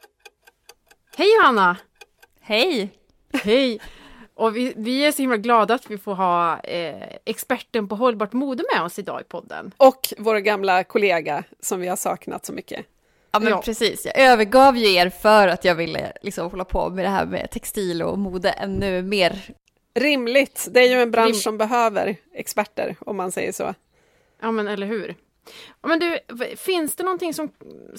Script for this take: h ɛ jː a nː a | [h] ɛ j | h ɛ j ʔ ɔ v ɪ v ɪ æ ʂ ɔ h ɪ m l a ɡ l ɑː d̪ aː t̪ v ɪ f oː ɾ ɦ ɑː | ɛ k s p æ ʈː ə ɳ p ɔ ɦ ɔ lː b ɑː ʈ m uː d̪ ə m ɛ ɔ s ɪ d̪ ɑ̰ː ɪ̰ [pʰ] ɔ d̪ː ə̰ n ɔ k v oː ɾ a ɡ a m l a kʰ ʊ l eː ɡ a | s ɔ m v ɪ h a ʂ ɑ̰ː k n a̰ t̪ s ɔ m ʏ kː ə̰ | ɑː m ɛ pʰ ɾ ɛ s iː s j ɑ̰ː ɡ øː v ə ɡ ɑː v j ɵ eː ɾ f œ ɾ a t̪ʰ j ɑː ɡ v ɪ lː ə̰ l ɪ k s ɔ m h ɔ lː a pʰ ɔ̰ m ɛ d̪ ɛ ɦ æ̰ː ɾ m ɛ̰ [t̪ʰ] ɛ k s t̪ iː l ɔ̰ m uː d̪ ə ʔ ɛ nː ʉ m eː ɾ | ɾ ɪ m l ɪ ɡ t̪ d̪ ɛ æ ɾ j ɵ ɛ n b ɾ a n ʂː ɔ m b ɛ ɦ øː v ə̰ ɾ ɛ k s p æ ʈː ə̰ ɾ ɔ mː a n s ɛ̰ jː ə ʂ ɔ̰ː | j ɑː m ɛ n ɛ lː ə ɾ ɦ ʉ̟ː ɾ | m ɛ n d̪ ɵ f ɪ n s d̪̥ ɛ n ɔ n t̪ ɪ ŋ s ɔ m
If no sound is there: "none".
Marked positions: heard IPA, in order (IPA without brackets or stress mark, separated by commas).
h, pʰ, t̪ʰ